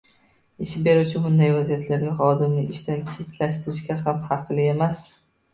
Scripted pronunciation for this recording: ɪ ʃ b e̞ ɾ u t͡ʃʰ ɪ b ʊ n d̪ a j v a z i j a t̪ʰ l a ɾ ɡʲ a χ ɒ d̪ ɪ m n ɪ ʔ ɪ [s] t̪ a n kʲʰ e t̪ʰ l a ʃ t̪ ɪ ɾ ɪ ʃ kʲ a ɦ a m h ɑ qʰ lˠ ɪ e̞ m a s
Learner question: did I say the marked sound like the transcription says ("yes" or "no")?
no